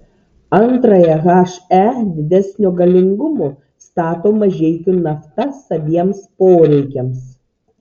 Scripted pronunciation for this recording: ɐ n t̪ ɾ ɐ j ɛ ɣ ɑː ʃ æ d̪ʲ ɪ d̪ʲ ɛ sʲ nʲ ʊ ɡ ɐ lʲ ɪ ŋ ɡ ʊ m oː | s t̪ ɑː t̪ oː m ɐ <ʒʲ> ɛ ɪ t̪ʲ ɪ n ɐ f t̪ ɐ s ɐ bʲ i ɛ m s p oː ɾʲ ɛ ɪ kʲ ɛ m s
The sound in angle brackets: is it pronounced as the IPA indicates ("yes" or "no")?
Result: yes